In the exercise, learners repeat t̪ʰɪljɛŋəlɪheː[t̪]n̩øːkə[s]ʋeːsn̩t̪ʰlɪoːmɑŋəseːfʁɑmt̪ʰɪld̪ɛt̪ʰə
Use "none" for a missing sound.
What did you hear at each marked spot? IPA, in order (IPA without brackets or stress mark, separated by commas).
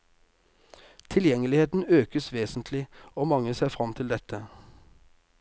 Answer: t̪, s